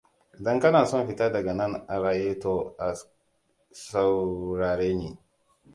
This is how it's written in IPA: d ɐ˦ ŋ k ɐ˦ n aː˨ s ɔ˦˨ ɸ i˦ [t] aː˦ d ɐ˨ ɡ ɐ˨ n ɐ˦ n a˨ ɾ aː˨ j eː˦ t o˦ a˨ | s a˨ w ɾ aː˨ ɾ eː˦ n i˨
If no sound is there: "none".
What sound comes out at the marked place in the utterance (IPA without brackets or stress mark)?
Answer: t